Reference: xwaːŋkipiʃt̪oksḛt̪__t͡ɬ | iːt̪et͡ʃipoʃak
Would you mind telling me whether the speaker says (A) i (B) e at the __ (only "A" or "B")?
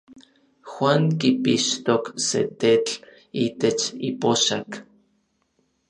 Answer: B